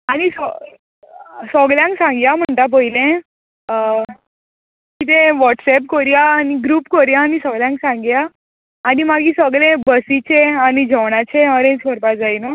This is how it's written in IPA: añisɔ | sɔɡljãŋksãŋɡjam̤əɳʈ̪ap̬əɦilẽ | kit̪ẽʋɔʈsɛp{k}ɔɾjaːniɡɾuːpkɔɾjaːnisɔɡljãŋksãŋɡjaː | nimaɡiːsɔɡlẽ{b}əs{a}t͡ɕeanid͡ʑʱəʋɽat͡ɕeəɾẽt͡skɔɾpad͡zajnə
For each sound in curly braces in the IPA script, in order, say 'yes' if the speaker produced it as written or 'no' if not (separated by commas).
yes, yes, no